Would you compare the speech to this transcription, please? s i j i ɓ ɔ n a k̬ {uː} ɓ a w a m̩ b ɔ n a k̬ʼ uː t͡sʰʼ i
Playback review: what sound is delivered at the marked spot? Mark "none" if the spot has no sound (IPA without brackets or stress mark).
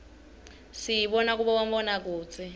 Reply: u